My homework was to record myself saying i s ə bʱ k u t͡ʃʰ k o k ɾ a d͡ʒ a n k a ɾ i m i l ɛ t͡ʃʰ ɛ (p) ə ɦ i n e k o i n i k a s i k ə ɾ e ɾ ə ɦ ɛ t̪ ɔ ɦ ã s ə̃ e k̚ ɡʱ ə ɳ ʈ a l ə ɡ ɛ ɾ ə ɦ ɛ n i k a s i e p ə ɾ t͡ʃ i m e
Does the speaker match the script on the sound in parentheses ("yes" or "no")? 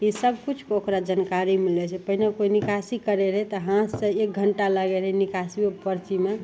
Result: yes